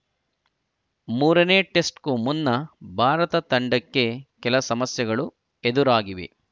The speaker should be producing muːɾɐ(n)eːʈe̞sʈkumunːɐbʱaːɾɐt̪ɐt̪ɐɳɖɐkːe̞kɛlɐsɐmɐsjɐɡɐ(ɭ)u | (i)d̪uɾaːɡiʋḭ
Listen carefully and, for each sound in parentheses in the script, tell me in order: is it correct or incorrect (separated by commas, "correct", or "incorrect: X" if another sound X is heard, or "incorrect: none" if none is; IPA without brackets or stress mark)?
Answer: correct, correct, incorrect: e